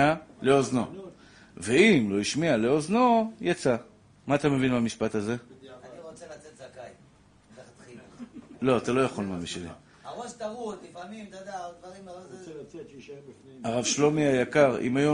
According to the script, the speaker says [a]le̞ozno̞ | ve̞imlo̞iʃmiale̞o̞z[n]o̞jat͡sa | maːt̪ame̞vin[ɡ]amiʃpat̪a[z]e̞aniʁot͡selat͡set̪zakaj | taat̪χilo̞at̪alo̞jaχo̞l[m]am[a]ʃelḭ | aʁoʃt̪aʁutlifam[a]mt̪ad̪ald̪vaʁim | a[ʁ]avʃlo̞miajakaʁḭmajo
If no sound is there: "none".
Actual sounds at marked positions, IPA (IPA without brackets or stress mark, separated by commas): a, n, b, z, m, i, i, ʁ